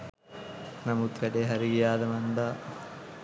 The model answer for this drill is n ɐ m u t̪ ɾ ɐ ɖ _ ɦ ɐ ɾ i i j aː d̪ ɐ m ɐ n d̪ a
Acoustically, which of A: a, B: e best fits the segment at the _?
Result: B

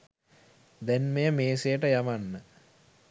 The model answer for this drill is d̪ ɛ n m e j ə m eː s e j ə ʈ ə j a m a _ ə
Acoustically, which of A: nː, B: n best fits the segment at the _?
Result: A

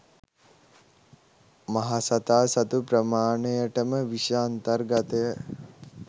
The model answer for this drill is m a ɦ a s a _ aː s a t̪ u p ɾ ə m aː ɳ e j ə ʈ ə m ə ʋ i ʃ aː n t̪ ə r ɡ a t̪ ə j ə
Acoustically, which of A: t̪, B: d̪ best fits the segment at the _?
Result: A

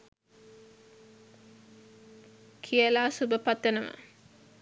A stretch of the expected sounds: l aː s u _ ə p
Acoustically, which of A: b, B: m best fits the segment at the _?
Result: A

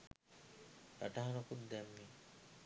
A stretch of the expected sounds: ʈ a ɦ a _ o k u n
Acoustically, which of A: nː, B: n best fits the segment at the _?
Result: B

